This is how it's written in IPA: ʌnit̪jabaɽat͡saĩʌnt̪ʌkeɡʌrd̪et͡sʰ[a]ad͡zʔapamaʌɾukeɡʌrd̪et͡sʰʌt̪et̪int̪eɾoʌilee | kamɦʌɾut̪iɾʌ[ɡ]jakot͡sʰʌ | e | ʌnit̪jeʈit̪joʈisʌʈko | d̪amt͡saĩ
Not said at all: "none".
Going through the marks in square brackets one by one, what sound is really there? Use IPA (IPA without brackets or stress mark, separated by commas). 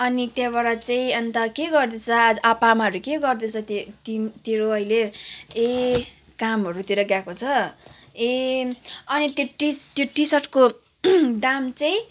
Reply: ʌ, ɡ